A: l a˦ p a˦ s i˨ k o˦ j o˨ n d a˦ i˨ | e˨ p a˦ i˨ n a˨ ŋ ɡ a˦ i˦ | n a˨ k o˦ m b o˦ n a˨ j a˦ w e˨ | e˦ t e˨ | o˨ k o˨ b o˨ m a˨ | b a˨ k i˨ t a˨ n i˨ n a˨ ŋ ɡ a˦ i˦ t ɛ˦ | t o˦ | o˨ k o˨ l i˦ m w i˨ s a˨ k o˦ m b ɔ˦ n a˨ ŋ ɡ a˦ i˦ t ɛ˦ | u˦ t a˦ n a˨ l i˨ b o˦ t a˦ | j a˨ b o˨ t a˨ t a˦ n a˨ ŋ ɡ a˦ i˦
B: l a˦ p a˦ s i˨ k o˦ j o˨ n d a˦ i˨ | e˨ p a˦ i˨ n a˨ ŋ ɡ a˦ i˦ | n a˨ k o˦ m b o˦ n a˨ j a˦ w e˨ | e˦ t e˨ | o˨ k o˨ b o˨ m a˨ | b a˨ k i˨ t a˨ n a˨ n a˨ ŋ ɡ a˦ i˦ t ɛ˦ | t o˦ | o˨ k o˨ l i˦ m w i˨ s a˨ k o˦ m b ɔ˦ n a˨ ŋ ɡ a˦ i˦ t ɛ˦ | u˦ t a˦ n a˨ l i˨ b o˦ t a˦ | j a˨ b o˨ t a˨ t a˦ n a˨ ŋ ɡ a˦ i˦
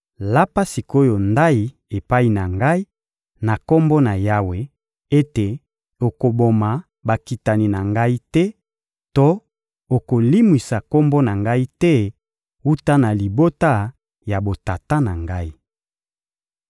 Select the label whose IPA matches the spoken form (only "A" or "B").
A